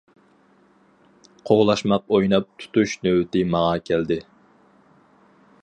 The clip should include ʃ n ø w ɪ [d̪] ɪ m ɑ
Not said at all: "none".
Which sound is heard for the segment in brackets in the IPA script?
t̪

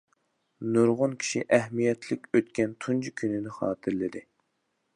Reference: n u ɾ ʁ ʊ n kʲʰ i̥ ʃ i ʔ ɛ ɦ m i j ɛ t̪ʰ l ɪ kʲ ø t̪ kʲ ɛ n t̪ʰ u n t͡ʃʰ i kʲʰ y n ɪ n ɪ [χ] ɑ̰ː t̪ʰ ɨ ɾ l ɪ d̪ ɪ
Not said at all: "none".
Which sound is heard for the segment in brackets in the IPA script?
χ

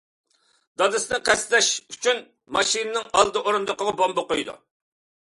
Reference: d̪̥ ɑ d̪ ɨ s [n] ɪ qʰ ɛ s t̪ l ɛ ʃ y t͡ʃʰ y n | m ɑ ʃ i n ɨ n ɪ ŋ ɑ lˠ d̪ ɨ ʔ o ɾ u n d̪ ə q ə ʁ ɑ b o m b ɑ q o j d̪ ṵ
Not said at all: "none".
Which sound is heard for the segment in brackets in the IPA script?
n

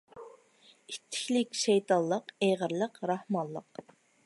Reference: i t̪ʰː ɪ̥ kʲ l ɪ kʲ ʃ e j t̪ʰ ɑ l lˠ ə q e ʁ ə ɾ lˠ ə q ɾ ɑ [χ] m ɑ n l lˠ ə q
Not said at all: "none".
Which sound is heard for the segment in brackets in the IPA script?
h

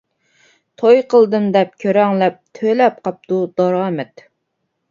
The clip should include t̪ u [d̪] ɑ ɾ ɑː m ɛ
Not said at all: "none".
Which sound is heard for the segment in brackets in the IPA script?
d̪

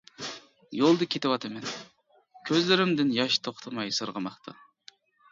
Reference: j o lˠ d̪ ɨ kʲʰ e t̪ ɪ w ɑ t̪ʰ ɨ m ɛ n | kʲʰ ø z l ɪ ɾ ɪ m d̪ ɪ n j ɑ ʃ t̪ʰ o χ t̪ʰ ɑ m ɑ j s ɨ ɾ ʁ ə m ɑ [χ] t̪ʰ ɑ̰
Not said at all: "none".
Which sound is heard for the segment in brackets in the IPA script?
χ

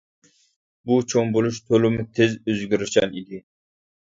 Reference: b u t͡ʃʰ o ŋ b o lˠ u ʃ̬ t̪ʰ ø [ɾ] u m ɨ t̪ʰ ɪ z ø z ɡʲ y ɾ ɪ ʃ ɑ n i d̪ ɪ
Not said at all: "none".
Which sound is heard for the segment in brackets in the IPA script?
l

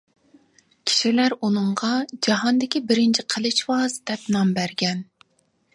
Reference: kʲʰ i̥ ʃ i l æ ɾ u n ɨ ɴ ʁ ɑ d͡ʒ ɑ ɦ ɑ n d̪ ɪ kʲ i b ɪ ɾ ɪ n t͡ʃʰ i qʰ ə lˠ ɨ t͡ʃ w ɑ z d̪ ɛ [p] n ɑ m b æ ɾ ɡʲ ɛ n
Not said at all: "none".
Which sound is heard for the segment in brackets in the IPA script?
p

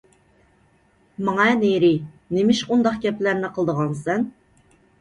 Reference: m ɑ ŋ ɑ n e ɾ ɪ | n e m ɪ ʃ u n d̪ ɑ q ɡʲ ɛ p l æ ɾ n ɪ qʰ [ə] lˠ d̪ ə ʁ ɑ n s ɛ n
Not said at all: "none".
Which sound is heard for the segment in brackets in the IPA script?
ə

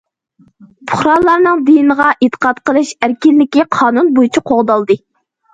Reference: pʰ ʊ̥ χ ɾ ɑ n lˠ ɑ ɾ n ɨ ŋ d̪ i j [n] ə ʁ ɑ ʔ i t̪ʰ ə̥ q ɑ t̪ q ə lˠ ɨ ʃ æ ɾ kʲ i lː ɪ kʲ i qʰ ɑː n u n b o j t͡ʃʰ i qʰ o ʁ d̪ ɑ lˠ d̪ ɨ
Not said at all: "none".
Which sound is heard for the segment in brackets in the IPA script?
n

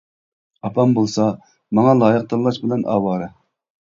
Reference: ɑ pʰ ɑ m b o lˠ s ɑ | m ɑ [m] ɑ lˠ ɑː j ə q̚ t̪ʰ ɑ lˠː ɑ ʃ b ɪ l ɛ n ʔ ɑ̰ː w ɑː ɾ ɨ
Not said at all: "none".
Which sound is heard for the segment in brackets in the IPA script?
ŋ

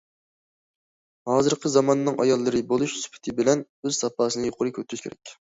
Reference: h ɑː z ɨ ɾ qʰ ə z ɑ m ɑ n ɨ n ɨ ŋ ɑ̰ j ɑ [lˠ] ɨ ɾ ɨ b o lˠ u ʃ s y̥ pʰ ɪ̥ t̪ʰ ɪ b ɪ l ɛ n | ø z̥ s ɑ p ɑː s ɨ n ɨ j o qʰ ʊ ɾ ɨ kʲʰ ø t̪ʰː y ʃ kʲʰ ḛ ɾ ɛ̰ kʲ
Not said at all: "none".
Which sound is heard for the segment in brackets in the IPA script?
lˠː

